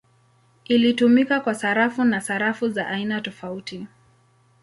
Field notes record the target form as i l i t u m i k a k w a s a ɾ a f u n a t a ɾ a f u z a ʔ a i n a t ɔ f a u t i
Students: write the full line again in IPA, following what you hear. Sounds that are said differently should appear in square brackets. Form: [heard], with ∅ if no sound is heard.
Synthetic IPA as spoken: i l i t u m i k a k w a s a ɾ a f u n a [s] a ɾ a f u z a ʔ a i n a t ɔ f a u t i